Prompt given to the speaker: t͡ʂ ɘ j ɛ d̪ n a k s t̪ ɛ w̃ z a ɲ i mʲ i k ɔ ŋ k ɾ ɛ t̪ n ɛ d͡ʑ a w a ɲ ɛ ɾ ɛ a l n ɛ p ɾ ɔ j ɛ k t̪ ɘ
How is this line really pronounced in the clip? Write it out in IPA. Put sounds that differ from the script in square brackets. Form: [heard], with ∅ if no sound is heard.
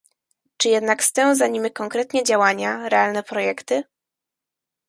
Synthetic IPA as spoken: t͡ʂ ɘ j ɛ d̪ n a k s t̪ ɛ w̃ z a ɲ i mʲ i k ɔ ŋ k ɾ ɛ t̪ [ɲ] ɛ d͡ʑ a w a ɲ [a] ɾ ɛ a l n ɛ p ɾ ɔ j ɛ k t̪ ɘ